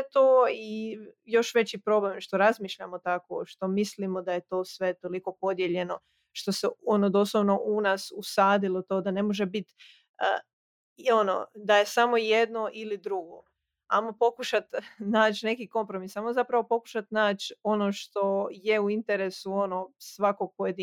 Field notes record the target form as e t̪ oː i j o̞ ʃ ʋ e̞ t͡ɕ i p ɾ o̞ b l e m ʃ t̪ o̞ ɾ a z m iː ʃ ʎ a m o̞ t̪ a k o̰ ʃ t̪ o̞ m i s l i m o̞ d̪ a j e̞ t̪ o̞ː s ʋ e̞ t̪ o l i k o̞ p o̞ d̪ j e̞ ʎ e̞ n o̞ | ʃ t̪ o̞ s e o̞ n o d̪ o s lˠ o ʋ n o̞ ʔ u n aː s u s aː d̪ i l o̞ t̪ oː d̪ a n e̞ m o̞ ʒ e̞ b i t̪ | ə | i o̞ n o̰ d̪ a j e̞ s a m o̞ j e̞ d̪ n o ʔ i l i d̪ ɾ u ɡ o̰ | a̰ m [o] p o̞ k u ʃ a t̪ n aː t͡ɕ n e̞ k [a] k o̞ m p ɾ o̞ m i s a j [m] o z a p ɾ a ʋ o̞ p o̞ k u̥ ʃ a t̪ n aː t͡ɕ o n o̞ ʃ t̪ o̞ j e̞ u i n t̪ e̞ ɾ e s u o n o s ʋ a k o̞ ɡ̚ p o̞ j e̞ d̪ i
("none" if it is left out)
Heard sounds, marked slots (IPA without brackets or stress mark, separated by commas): o, i, m